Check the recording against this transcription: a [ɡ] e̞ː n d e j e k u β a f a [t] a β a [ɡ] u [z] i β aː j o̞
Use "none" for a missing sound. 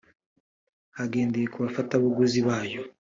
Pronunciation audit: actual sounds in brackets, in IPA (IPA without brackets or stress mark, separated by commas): ɡ, t, ɡ, z